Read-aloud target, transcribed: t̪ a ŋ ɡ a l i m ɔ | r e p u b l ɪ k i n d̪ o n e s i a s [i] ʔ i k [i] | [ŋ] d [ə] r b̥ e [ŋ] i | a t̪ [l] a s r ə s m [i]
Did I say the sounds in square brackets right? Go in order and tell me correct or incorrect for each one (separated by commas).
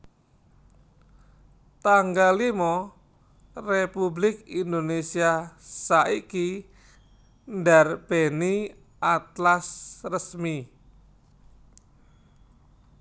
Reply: incorrect, correct, incorrect, incorrect, incorrect, correct, correct